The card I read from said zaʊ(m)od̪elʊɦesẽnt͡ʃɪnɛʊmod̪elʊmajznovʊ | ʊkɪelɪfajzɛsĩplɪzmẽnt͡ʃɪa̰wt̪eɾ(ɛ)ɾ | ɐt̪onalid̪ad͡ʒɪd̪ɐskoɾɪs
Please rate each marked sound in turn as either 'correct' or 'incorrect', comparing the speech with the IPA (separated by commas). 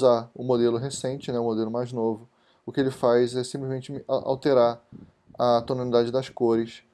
correct, incorrect